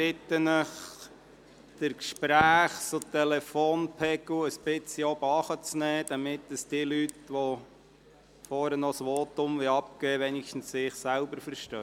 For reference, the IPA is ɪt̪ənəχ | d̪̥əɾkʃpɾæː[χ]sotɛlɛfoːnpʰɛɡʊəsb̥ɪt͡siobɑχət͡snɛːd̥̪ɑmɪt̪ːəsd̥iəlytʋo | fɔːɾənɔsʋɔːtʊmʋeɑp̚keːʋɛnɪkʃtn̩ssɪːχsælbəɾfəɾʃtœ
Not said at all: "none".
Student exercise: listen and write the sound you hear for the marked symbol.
χ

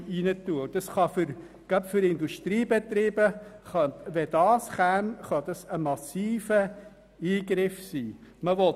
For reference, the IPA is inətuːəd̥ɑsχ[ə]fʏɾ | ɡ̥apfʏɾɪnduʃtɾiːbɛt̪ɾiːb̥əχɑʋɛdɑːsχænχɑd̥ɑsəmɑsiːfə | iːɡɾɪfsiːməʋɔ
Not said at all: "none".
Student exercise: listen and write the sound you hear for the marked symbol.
ɑ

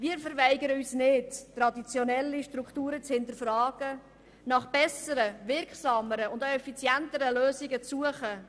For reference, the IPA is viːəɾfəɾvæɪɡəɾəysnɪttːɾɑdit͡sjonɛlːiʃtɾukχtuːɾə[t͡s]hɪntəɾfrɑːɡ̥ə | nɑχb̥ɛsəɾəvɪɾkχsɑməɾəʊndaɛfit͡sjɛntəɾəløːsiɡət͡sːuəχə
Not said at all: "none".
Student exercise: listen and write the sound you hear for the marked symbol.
t͡s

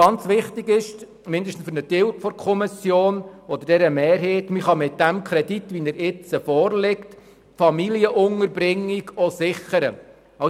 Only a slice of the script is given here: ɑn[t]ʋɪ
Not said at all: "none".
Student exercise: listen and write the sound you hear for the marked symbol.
t͡s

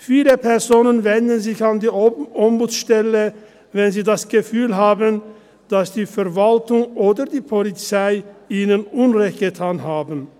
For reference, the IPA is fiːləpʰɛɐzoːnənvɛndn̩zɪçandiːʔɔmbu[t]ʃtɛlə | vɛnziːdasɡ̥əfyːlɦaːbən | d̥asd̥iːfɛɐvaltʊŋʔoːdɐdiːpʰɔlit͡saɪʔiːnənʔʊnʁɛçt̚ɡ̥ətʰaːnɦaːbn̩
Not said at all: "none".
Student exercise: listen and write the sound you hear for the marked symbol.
t͡s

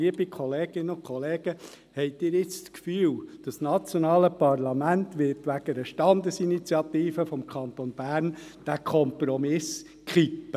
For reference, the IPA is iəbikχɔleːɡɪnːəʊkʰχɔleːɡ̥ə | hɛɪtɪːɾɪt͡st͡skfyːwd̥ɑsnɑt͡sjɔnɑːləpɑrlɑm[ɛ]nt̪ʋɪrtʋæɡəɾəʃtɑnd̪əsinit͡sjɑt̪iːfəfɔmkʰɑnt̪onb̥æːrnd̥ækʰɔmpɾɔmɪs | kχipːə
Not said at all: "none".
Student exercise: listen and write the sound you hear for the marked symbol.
æ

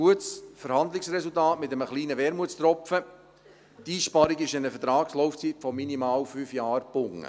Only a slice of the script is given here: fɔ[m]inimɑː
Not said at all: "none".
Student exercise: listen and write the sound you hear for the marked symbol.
m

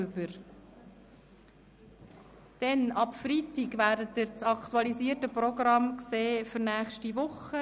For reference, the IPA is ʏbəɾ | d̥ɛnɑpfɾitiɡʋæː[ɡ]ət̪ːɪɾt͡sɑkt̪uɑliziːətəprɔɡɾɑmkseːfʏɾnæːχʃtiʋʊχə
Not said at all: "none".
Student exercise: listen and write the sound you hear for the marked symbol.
d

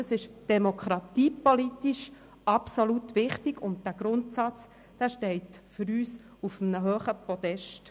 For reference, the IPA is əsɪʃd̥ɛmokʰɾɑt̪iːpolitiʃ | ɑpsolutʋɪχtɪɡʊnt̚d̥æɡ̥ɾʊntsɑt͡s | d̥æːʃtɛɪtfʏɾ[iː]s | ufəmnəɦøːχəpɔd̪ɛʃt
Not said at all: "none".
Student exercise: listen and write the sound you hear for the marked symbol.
yː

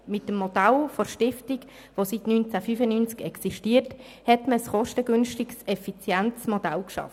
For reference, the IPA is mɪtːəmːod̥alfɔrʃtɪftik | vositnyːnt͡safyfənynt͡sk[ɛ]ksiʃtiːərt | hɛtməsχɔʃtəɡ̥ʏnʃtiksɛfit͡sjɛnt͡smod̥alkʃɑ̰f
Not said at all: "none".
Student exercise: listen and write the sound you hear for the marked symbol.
ɛ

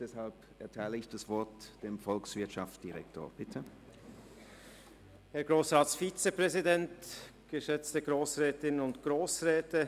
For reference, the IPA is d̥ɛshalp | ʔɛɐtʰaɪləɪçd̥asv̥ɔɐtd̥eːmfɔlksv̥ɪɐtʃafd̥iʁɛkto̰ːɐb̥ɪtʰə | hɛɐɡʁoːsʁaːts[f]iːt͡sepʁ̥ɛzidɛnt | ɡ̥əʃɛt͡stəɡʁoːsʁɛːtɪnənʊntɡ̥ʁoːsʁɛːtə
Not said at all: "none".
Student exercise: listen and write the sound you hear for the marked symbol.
f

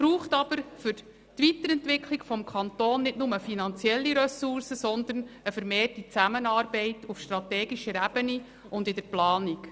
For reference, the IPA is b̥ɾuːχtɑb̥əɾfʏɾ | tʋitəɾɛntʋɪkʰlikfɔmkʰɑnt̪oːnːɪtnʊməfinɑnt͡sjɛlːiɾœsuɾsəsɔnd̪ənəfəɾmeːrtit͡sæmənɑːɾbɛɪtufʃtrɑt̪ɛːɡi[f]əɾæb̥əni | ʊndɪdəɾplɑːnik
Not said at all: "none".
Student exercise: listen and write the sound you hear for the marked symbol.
ʃ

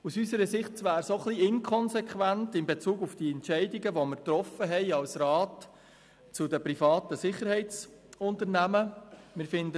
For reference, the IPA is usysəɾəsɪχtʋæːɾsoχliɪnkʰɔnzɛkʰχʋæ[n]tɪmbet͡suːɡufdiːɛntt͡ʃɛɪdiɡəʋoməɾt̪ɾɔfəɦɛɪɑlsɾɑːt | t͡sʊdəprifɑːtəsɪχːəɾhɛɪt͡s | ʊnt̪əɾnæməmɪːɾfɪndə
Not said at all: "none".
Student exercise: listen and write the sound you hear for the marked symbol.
n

